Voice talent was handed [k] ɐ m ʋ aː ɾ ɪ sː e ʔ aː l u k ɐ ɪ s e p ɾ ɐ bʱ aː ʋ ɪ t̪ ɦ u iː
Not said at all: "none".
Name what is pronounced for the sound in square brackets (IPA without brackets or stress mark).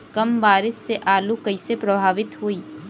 k